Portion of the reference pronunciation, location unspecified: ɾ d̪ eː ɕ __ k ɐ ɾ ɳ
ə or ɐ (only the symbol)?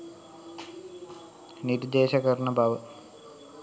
ɐ